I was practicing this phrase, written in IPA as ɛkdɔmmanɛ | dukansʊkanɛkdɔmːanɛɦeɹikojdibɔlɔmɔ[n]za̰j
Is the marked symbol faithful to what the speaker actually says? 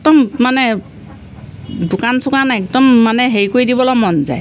yes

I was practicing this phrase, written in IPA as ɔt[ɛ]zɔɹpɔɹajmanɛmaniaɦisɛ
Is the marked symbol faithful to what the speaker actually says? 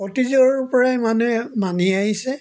no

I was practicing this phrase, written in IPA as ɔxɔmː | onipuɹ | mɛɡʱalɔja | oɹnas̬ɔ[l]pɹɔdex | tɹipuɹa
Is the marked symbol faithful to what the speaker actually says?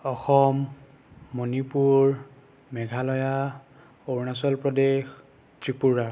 yes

